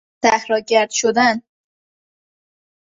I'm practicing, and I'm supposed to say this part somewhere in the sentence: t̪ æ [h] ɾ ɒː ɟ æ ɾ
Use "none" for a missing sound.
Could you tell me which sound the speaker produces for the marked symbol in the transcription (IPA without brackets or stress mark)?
h